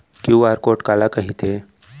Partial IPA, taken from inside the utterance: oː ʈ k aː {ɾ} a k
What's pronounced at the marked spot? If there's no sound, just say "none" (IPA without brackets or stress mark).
l